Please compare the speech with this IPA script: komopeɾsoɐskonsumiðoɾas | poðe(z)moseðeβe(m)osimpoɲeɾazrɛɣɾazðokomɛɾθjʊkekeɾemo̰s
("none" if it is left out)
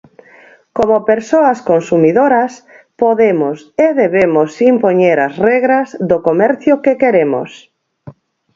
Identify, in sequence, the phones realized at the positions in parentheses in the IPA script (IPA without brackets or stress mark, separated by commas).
none, m